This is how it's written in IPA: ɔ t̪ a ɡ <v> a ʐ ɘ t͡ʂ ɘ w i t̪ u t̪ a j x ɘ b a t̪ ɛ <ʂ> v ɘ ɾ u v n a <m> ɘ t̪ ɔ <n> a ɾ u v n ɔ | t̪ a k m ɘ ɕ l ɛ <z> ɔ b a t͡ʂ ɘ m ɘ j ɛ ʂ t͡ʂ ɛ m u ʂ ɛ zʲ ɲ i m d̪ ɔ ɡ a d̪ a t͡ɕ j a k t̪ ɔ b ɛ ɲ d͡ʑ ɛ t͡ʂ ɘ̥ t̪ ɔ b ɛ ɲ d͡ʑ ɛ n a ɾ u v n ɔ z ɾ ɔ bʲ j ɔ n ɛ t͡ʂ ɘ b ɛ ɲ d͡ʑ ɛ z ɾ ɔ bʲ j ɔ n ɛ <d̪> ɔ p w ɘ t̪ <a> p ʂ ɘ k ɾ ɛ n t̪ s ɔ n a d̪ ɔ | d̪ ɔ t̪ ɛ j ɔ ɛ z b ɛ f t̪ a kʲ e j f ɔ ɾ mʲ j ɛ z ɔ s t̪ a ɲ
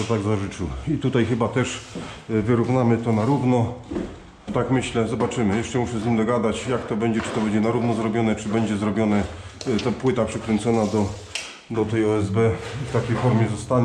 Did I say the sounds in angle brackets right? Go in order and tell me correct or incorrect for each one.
incorrect: z, correct, correct, correct, correct, incorrect: t̪, correct

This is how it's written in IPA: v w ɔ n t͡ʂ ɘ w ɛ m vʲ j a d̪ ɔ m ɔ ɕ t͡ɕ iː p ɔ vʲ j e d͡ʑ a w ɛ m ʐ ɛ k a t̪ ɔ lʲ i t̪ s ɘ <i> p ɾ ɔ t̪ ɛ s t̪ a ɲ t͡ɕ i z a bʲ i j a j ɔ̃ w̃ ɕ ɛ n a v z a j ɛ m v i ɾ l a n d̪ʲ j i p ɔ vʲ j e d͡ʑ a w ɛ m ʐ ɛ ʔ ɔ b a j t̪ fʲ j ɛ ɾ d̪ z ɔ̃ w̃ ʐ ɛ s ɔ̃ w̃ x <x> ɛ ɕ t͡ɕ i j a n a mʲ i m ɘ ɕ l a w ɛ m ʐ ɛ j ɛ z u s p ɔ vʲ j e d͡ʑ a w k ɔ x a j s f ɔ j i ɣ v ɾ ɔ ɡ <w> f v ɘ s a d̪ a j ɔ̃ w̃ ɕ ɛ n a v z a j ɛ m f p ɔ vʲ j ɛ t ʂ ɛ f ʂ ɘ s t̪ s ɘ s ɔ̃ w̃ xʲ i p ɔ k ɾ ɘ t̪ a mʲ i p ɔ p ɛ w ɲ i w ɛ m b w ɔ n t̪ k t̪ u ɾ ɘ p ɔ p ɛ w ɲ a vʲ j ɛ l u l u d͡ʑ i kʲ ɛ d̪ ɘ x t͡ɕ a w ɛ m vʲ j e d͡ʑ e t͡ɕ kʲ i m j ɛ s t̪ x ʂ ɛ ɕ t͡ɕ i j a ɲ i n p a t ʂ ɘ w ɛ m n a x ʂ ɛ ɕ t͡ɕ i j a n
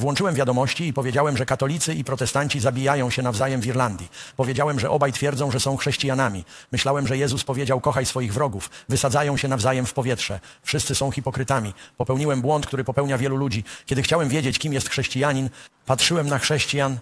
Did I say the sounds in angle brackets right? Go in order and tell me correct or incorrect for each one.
correct, incorrect: ʂ, incorrect: u

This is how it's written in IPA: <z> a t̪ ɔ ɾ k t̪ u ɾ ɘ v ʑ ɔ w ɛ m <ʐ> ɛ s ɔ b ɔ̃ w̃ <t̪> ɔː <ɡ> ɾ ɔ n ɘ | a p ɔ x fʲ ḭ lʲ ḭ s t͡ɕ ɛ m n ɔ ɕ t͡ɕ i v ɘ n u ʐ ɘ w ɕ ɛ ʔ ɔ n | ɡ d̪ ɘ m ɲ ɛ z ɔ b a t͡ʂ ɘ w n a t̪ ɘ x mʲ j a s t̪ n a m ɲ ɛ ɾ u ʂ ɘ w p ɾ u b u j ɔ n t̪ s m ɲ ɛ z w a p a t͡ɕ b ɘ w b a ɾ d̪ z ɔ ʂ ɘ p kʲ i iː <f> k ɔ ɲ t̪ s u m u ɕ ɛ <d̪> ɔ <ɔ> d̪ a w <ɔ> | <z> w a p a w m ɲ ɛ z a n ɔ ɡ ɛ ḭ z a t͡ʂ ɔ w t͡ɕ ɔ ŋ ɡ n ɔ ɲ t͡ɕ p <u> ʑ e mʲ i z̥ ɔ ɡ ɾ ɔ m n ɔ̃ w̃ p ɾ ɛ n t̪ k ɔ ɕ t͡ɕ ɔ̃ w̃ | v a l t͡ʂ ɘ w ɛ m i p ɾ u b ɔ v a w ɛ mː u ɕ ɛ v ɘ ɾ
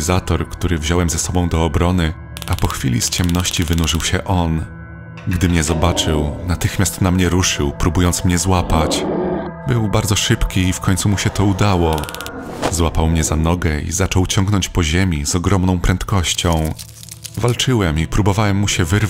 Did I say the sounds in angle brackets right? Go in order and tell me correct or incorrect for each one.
correct, incorrect: z, incorrect: d̪, incorrect: b, correct, incorrect: t̪, incorrect: u, correct, correct, incorrect: ɔ

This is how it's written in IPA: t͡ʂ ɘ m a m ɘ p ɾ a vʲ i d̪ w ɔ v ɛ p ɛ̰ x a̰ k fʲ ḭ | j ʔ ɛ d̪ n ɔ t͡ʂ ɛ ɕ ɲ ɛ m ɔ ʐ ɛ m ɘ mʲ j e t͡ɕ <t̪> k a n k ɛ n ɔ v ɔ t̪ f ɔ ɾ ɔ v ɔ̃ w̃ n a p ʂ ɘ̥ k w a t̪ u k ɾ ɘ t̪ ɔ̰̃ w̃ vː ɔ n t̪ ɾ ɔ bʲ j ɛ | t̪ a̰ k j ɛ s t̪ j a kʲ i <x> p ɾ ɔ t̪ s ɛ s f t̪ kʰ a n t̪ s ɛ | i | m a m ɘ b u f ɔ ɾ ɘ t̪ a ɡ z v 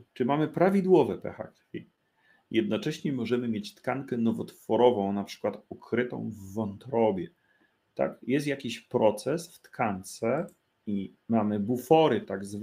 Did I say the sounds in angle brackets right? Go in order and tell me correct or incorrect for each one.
correct, incorrect: ɕ

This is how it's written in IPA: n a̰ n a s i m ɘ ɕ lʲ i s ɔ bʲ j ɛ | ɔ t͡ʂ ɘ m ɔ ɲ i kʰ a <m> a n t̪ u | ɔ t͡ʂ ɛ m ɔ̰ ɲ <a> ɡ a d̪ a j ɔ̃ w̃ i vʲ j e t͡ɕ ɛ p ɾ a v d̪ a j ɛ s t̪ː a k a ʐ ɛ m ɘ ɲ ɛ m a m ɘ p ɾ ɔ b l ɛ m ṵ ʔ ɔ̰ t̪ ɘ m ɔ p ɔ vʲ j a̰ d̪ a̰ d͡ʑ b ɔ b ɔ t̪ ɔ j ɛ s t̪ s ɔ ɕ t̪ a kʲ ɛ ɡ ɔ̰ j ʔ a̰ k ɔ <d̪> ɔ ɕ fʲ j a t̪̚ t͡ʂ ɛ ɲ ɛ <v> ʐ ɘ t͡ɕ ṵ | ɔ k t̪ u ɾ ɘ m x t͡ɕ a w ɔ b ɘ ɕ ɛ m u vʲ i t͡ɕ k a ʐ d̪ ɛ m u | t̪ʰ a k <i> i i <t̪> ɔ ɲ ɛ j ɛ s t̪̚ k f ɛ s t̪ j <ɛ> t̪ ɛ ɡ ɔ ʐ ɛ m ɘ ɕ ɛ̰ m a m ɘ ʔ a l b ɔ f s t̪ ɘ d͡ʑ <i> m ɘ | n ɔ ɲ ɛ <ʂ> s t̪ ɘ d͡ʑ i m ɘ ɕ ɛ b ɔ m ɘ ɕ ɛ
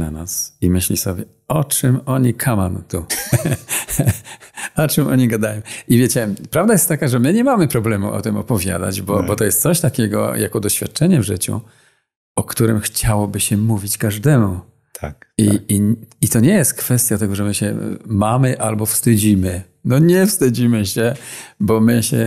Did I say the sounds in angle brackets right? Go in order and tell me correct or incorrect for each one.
correct, incorrect: i, correct, correct, correct, correct, incorrect: a, correct, incorrect: f

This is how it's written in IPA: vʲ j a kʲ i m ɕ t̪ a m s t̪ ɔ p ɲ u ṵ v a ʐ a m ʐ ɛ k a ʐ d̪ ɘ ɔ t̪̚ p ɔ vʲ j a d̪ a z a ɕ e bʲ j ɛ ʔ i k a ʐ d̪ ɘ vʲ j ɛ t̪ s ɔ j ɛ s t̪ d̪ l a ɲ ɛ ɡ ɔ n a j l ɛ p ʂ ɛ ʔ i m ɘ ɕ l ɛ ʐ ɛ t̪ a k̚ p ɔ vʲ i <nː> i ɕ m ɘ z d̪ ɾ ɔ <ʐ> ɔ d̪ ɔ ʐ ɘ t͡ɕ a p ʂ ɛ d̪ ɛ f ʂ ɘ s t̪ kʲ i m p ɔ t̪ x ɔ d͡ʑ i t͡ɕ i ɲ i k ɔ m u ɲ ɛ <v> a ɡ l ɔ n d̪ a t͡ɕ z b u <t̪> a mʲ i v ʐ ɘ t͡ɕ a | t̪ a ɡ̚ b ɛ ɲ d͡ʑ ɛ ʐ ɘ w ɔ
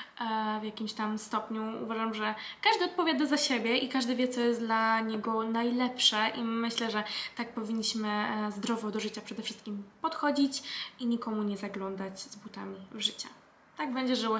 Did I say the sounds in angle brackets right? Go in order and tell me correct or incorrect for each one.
incorrect: ɲː, incorrect: v, incorrect: z, correct

